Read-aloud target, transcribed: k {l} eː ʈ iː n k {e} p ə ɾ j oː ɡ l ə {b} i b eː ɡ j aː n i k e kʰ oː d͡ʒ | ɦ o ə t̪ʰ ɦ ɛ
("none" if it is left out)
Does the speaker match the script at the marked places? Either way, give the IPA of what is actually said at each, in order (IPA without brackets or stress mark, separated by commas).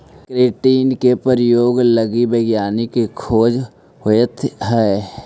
ɾ, e, ɡ